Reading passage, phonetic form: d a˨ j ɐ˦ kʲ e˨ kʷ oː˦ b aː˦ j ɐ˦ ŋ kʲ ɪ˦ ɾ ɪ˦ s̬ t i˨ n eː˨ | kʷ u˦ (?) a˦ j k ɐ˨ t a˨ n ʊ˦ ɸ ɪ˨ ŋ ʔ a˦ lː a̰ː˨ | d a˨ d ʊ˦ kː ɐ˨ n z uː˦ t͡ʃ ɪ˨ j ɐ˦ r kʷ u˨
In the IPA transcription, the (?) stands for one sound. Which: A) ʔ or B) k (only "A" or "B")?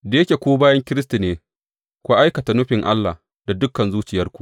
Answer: A